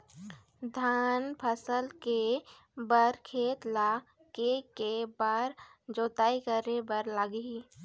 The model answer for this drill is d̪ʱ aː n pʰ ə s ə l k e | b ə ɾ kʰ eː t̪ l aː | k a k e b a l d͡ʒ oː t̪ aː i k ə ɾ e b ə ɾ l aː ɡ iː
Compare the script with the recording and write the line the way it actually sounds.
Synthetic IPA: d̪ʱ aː n pʰ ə s ə l k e | b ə ɾ kʰ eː t̪ l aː | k e k e b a ɾ d͡ʒ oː t̪ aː i k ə ɾ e b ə ɾ l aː ɡ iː

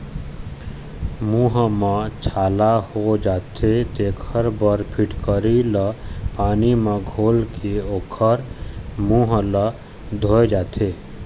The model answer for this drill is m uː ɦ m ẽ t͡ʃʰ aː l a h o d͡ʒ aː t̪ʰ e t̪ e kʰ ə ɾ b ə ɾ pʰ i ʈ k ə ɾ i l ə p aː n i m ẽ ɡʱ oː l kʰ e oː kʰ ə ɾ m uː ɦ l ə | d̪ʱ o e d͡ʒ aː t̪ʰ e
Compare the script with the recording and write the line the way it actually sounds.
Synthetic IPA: m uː ɦ m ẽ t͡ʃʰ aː l a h o d͡ʒ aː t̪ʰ e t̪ e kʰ ə ɾ b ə ɾ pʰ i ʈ k ə ɾ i l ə p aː n i m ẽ ɡʱ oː l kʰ e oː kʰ ə ɾ m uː ɦ l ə | d̪ʱ o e d͡ʒ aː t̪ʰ e

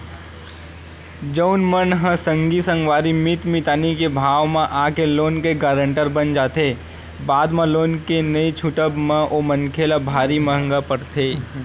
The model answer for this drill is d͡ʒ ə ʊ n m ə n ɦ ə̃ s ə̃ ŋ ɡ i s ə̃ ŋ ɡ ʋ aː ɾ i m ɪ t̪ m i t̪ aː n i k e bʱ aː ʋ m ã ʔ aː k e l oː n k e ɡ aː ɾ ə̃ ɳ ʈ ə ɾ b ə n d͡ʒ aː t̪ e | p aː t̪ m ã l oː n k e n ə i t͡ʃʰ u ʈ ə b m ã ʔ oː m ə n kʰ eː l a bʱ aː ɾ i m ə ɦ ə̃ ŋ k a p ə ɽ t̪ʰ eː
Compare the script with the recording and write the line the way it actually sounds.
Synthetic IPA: d͡ʒ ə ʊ n m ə n ɦ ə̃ s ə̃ ŋ ɡ i s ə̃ ŋ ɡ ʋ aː ɾ i m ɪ t̪ m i t̪ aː n i k e bʱ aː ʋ m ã ʔ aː k e l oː n k e ɡ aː ɾ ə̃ ɳ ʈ ə ɾ b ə n d͡ʒ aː t̪ e | b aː d̪ m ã l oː n k e n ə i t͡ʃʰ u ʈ ə b m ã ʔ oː m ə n kʰ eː l a bʱ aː ɾ i m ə ɦ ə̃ ŋ ɡ a p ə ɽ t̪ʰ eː

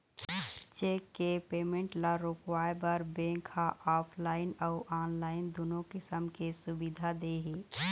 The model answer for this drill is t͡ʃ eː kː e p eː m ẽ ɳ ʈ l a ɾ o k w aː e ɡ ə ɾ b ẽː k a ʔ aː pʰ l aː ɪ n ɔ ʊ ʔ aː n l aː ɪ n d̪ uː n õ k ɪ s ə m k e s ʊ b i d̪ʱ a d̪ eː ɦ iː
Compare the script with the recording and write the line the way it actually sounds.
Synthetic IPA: t͡ʃ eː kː e p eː m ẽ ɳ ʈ l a ɾ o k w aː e b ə ɾ b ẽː k a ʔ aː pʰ l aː ɪ n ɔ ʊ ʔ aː n l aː ɪ n d̪ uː n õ k ɪ s ə m k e s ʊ b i d̪ʱ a d̪ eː ɦ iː

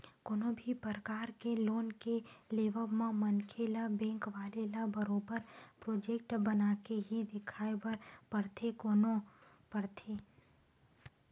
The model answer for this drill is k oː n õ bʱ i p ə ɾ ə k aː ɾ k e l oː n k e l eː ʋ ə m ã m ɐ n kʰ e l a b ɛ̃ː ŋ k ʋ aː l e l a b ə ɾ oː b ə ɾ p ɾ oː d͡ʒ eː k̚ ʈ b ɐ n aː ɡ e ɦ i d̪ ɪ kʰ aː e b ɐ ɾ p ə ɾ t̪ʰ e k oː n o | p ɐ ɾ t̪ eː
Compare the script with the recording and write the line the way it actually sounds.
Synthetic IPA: k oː n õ bʱ i p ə ɾ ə k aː ɾ k e l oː n k e l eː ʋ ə m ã m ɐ n kʰ e l a b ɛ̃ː ŋ k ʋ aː l e l a b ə ɾ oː b ə ɾ p ɾ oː d͡ʒ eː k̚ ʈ b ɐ n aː k e ɦ i d̪ ɪ kʰ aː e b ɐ ɾ p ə ɾ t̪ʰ e k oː n o | p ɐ ɾ t̪ʰ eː

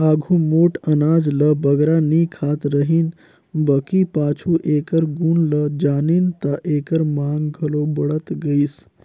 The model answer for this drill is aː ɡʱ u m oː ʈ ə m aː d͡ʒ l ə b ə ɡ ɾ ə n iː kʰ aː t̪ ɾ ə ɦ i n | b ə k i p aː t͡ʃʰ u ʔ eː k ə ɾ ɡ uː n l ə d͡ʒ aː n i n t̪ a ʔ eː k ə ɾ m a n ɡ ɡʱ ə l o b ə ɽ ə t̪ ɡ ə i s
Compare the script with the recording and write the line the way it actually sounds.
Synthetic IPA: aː ɡʱ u m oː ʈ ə n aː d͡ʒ l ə b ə ɡ ɾ a n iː kʰ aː t̪ ɾ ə ɦ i n | b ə k i p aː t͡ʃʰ u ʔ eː k ə ɾ ɡ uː n l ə d͡ʒ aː n i n t̪ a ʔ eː k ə ɾ m a ŋ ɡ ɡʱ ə l o b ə ɽ ə t̪ ɡ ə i s

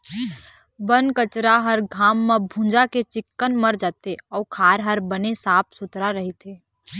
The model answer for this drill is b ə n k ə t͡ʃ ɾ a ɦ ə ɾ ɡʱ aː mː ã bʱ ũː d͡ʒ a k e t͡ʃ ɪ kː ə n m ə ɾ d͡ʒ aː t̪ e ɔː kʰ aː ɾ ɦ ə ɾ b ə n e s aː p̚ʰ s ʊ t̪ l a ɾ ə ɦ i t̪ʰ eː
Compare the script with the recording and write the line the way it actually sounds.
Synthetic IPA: b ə n k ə t͡ʃ ɾ a ɦ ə ɾ ɡʱ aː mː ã bʱ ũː d͡ʒ a k e t͡ʃ ɪ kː ə n m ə ɾ d͡ʒ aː t̪ e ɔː kʰ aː ɾ ɦ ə ɾ b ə n e s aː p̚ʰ s ʊ t̪ ɾ a ɾ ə ɦ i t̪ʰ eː

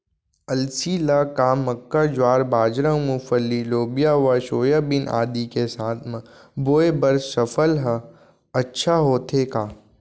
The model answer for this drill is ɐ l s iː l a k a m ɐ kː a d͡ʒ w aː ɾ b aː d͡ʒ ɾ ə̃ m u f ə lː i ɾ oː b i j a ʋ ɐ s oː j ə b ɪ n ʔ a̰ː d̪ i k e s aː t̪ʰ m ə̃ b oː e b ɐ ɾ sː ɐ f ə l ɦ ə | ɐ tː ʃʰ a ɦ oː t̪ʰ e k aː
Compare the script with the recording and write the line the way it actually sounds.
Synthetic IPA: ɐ l s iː l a k a m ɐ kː a d͡ʒ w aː ɾ b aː d͡ʒ ɾ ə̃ m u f ə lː i l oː b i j a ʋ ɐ ʃ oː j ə b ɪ n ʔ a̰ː d̪ i k e s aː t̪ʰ m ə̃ b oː e b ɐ ɾ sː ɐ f ə l ɦ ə | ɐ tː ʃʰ a ɦ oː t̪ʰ e k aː

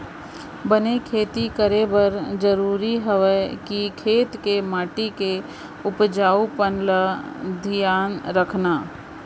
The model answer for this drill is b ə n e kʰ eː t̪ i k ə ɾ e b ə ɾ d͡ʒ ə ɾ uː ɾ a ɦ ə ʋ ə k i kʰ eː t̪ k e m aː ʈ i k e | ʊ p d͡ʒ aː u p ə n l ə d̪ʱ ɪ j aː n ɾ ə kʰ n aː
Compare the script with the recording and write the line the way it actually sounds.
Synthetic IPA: b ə n e kʰ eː t̪ i k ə ɾ e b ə ɾ d͡ʒ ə ɾ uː ɾ i ɦ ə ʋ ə k i kʰ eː t̪ k e m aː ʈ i k e | ʊ p d͡ʒ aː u p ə n l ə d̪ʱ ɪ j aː n ɾ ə kʰ n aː

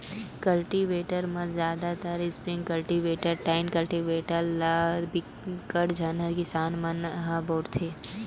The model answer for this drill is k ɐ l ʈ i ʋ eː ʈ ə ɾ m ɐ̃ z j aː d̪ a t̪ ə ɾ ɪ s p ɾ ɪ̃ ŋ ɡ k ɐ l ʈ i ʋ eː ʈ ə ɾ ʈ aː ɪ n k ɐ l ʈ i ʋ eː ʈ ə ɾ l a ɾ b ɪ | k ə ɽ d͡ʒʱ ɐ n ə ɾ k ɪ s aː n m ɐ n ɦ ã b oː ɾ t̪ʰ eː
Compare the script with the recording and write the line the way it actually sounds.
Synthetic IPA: k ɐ l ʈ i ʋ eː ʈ ə ɾ m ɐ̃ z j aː d̪ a t̪ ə ɾ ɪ s p ɾ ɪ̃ ŋ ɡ k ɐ l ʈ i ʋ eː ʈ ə ɾ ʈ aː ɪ n k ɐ l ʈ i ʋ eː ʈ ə ɾ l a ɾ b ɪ | k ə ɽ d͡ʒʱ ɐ n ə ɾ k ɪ s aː n m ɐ n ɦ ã b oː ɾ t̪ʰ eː

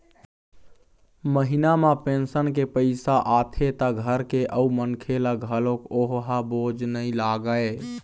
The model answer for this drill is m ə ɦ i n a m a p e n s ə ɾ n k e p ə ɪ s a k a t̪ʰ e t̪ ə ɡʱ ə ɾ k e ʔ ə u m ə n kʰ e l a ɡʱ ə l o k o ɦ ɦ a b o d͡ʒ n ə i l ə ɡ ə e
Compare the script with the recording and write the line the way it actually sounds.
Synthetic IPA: m ə ɦ i n a m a p e n s ə n k e p ə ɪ s a ʔ a t̪ʰ e t̪ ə ɡʱ ə ɾ k e ʔ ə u m ə n kʰ e l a ɡʱ ə l o k o ɦ ɦ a b o d͡ʒ n ə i l a ɡ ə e

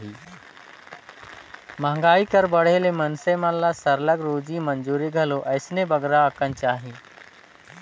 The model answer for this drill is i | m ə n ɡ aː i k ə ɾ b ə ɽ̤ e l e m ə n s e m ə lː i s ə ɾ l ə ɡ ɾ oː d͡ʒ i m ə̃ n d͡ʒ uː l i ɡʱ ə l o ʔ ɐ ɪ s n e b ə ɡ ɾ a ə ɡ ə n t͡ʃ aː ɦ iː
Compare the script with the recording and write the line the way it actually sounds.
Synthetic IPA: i | m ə ŋ ɡ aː i k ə ɾ b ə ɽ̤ e l e m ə n s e m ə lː a s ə ɾ l ə ɡ ɾ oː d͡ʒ i m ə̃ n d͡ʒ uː ɾ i ɡʱ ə l o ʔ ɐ ɪ s n e b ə ɡ ɾ a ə k ə n t͡ʃ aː ɦ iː

